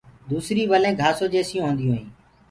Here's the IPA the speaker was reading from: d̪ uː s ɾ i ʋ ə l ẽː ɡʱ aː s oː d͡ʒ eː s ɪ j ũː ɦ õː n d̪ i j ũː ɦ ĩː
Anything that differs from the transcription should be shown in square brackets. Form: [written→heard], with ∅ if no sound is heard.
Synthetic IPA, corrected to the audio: d̪ uː s ɾ [i→iː] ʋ ə l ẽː ɡʱ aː s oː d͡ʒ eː s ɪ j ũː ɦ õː n d̪ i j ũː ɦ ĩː